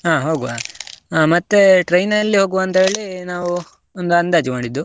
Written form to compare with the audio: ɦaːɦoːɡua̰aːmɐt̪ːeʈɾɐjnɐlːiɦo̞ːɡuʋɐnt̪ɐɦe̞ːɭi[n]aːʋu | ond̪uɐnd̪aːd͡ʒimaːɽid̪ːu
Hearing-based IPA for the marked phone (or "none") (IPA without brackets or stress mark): n